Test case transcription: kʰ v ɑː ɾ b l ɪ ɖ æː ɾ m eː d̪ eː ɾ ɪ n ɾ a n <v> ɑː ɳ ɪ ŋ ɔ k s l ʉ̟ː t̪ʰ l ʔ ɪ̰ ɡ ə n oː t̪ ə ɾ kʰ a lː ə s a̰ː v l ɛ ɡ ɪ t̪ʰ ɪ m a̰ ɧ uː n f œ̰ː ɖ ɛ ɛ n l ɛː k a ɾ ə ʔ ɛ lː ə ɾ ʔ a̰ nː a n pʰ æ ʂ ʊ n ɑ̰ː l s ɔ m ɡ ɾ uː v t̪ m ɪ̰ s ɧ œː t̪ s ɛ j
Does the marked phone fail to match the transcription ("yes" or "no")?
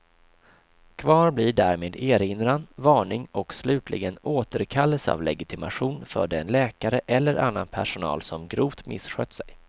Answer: no